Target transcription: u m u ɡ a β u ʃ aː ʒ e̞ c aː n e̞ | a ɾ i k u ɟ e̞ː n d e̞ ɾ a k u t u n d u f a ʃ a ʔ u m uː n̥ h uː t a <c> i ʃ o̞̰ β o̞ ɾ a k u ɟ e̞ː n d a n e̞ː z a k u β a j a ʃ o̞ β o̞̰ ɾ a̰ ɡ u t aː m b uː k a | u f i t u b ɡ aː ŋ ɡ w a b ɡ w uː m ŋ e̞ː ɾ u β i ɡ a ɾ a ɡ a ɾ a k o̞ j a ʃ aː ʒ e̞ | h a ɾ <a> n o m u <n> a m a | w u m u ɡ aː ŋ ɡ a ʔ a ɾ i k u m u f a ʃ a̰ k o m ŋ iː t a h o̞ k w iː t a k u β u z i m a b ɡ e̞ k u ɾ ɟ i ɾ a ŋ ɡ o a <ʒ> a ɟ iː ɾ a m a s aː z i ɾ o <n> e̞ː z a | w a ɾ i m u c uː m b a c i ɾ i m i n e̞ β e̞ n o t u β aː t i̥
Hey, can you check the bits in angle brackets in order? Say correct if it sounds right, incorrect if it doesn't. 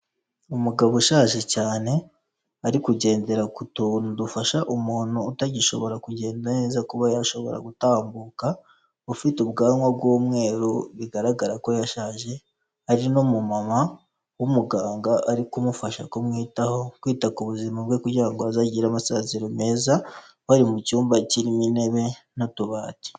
incorrect, incorrect, incorrect, incorrect, incorrect

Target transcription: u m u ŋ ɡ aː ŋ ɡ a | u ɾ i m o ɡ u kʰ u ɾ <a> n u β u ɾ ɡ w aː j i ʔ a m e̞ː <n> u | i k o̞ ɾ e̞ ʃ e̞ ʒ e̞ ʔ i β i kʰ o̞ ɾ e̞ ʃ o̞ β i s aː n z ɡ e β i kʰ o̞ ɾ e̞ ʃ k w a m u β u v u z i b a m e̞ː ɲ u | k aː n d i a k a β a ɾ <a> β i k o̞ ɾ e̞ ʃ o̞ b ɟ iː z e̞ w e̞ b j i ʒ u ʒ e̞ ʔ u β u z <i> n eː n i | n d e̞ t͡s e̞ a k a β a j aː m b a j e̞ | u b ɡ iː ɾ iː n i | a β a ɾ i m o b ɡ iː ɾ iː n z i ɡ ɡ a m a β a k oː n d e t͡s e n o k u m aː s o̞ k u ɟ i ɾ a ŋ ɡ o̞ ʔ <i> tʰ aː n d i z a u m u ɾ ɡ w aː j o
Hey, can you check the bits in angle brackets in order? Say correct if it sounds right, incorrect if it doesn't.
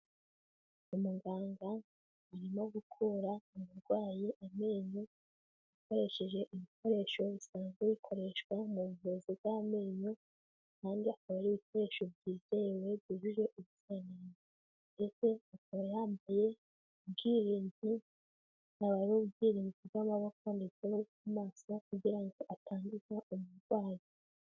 correct, incorrect, incorrect, incorrect, incorrect

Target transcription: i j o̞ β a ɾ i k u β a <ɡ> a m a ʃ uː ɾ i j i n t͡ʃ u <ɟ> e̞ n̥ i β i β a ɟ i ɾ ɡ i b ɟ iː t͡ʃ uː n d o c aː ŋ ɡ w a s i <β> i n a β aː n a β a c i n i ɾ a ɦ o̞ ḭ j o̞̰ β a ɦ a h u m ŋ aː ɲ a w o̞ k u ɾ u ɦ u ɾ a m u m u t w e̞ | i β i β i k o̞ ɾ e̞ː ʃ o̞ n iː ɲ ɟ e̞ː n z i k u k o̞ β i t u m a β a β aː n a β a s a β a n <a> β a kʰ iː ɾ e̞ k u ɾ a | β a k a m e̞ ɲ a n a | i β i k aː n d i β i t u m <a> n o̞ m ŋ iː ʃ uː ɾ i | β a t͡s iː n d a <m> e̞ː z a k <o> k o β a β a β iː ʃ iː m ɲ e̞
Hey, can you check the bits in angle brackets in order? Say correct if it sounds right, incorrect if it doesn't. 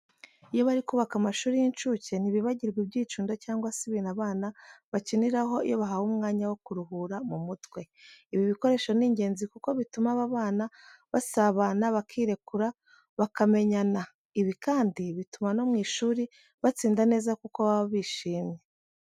incorrect, incorrect, correct, correct, correct, incorrect, incorrect

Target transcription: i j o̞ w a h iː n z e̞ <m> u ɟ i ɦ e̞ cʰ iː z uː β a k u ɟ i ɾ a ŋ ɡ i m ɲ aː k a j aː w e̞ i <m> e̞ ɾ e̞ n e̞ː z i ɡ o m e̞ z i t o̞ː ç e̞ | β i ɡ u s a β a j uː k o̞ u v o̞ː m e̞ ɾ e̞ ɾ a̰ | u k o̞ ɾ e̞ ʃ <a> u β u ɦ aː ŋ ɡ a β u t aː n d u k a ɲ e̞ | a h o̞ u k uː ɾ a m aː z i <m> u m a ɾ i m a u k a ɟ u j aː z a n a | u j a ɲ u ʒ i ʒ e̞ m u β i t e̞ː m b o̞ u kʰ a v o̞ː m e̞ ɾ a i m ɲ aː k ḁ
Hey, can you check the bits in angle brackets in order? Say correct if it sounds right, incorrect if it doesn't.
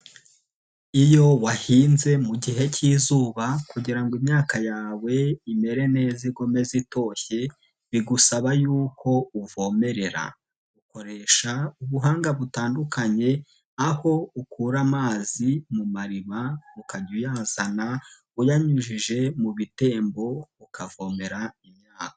correct, correct, correct, correct

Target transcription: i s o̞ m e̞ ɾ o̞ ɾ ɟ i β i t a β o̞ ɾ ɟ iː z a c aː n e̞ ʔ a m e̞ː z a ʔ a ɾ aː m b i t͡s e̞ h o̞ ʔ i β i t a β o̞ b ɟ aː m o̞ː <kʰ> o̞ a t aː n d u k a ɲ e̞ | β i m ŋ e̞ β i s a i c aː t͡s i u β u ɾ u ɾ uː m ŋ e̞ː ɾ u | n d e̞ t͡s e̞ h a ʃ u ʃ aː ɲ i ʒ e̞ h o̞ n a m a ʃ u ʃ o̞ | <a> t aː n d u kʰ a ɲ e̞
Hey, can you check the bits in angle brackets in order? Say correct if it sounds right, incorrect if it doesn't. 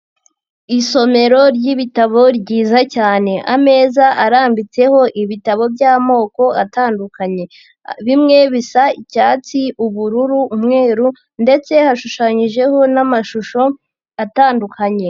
incorrect, correct

